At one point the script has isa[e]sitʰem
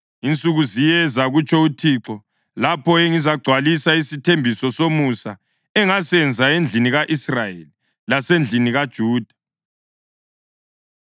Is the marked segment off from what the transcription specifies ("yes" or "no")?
yes